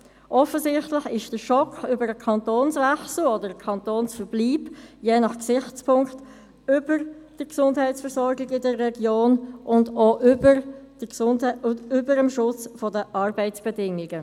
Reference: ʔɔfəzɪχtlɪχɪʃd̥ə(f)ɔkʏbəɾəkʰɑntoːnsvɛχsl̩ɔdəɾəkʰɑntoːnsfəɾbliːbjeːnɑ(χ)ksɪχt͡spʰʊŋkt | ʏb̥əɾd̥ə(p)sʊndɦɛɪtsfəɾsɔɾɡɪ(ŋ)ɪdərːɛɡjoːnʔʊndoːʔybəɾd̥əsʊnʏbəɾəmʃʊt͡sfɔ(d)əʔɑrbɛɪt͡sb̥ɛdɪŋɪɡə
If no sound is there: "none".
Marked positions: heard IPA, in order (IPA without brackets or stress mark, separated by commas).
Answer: ʃ, χ, k, ɡ, d